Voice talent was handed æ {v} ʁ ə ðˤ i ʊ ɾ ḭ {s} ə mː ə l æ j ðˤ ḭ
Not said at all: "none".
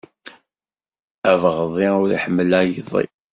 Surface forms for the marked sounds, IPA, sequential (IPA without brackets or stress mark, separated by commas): v, ħ